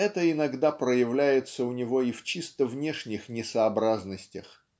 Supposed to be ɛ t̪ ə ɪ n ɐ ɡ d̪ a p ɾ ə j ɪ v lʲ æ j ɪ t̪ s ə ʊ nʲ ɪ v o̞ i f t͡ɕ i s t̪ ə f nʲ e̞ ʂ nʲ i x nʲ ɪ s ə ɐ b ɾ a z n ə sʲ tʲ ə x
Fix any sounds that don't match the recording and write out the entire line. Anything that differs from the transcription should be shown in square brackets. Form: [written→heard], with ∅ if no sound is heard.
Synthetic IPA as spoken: ɛ t̪ ə ɪ n ɐ ɡ d̪ a p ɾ ə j ɪ v lʲ æ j ɪ t̪ s ə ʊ nʲ ɪ v o̞ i f t͡ɕ i s t̪ ə [f→v] nʲ e̞ ʂ nʲ [i→ɪ] x nʲ ɪ s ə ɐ b ɾ a z n ə sʲ tʲ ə x